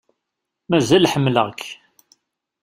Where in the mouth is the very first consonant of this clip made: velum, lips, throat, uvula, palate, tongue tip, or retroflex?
lips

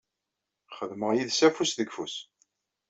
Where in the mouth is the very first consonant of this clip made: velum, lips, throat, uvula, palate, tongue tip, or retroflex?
uvula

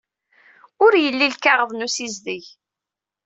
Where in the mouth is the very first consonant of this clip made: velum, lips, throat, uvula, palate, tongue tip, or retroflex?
tongue tip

